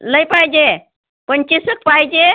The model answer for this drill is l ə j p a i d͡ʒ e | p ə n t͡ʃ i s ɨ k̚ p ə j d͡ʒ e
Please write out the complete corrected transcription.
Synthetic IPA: l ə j p a j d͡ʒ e | p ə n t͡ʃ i s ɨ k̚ p a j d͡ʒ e